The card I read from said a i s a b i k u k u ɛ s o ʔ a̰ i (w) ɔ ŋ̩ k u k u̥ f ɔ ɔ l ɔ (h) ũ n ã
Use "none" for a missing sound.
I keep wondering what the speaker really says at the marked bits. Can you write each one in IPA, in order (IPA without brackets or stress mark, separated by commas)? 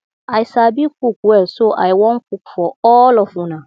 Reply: w, f